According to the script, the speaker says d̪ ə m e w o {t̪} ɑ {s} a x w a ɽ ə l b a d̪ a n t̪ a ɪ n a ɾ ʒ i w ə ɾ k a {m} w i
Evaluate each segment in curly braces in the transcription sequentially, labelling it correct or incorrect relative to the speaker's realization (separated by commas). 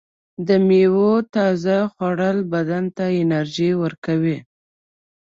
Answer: correct, incorrect, incorrect